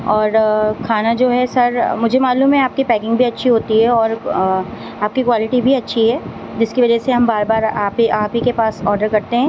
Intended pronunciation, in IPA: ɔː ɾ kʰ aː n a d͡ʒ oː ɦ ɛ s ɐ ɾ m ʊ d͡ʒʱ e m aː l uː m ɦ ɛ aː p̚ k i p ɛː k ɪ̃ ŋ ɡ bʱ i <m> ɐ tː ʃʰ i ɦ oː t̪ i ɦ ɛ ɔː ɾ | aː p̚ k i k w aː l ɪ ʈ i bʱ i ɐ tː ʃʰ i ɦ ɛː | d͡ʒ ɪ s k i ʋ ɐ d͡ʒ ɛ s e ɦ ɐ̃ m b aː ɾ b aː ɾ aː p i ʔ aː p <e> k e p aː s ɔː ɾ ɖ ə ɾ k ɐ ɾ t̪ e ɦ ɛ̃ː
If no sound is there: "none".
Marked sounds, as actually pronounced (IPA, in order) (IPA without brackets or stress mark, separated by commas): none, i